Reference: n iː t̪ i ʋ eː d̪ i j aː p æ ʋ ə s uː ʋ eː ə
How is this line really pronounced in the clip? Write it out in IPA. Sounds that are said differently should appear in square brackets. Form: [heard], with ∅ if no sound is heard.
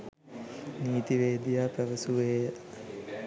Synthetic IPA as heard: n iː t̪ i ʋ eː d̪ i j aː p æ ʋ ə s [u] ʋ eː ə